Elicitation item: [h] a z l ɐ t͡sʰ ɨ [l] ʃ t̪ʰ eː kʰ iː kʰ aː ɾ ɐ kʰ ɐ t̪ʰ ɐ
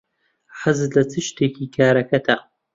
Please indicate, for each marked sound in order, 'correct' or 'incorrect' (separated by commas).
incorrect, incorrect